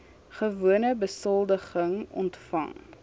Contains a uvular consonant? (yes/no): yes